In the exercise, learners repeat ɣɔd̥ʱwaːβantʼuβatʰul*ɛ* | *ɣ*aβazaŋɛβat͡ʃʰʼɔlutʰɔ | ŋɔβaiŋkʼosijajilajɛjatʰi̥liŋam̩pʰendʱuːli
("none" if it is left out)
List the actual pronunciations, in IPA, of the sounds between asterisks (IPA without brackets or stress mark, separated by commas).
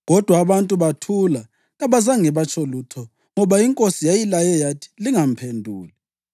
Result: a, ɣ